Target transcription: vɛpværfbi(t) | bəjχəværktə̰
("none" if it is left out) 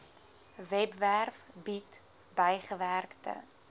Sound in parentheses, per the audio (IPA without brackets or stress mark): t